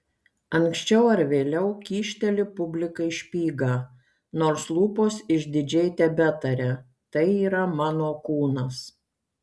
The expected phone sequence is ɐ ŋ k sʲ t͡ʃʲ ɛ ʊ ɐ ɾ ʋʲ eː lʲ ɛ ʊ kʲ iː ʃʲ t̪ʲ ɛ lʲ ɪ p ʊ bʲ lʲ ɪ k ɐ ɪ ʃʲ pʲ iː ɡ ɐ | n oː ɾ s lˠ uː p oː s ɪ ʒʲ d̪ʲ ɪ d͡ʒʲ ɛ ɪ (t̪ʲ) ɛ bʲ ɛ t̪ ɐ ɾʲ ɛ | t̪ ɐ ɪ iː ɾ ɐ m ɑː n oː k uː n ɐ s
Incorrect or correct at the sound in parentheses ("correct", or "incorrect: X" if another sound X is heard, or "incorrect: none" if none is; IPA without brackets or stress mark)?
correct